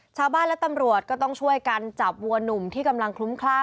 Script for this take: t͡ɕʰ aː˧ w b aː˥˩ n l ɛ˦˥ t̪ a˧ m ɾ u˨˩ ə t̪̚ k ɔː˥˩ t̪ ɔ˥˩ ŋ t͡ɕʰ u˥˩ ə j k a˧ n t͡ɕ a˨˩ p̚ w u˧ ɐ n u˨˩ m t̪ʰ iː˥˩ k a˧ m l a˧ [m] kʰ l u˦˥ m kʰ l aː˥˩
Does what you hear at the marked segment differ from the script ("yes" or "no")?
yes